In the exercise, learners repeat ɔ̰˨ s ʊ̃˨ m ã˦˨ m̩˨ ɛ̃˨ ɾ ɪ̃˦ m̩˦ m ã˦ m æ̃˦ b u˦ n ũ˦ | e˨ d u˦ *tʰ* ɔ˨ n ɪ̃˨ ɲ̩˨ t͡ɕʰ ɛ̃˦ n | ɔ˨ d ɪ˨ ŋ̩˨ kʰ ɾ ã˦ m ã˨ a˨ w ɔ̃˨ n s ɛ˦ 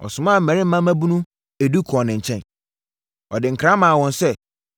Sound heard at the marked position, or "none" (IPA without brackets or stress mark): kʰ